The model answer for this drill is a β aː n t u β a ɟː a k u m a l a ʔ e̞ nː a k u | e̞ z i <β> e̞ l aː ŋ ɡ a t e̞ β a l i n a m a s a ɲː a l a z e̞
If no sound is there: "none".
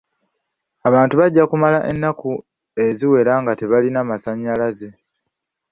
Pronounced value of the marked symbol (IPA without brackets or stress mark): w